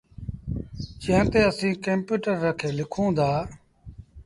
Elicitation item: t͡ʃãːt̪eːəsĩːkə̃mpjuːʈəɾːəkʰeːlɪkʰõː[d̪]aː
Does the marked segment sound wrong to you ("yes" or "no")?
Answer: no